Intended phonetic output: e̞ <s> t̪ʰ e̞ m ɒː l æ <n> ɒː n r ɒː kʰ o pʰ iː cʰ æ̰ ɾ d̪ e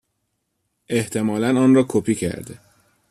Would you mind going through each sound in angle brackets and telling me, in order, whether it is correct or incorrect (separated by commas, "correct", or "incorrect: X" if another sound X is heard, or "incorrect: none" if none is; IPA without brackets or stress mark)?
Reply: incorrect: h, correct